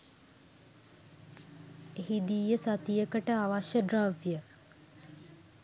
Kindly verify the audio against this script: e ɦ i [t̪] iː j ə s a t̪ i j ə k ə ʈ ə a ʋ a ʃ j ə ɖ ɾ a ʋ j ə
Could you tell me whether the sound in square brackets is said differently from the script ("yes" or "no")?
yes